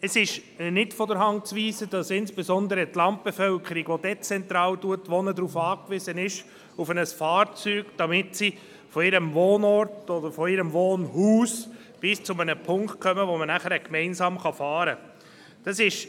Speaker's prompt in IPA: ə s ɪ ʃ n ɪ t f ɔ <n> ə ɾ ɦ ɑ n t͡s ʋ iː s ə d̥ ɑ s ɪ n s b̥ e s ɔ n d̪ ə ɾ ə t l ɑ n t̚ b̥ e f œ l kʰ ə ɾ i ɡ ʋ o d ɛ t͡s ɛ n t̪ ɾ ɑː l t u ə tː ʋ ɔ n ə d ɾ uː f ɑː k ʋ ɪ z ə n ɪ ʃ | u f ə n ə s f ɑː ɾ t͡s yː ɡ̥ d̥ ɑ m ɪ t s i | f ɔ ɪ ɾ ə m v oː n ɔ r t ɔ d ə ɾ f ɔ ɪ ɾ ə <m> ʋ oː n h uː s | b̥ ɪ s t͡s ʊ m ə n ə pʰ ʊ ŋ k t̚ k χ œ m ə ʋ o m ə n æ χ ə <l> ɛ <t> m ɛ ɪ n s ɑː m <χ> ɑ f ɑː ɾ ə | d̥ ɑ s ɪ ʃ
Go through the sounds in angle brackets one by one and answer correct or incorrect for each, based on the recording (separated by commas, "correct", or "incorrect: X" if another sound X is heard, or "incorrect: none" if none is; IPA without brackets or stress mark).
incorrect: d, correct, incorrect: ɾ, incorrect: k, correct